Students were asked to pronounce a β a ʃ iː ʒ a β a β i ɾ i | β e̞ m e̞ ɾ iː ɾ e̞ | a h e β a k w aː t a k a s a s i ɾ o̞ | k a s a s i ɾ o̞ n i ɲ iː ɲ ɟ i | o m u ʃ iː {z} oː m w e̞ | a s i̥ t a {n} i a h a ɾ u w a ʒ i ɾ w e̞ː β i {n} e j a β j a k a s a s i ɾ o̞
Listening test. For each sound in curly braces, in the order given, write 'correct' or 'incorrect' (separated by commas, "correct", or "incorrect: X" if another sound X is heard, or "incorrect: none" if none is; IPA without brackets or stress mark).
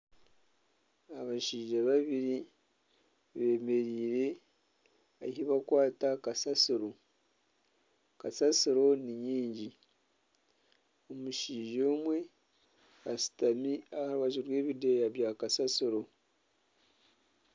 incorrect: ʒ, incorrect: m, incorrect: d